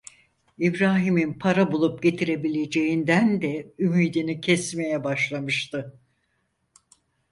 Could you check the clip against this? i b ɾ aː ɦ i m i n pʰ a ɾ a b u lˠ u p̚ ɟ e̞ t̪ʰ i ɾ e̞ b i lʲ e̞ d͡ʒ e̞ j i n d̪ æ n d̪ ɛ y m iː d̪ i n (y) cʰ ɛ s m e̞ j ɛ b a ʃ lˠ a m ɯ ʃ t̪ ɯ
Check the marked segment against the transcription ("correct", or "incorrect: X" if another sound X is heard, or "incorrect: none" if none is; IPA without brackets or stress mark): incorrect: i